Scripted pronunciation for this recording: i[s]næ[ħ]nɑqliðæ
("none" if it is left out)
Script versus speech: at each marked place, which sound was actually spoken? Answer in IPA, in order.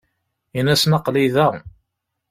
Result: none, s

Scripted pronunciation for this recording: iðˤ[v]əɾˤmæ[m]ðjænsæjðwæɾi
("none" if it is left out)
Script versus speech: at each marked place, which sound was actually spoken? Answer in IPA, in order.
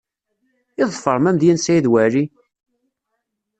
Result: f, m

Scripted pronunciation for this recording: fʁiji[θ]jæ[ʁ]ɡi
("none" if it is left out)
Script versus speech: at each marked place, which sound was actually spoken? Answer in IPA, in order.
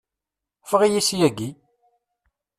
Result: s, none

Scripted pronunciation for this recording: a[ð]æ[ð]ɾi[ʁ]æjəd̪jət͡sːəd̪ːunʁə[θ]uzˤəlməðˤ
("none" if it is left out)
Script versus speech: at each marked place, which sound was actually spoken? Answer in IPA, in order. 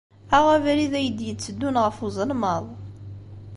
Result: ʁ, v, ð, f

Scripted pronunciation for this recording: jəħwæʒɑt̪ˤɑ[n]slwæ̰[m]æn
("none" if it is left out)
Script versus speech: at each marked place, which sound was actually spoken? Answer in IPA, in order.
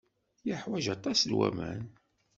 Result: none, m

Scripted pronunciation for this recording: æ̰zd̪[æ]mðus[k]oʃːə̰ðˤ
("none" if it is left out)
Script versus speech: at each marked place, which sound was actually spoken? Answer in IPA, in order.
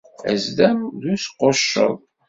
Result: æ, q

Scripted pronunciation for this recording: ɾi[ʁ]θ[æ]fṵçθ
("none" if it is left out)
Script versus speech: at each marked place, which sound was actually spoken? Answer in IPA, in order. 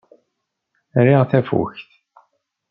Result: ʁ, æ

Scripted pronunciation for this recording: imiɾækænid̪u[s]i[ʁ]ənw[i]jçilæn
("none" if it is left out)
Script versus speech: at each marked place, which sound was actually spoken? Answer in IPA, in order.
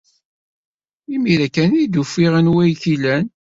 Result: f, ʁ, æ

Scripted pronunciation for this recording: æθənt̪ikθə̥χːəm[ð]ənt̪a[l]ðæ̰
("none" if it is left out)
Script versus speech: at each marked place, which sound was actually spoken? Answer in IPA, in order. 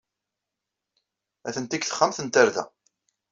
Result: θ, ɾ

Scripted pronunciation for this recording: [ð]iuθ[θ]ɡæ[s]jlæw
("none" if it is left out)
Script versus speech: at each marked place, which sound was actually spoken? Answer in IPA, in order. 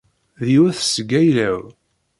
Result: ð, s, none

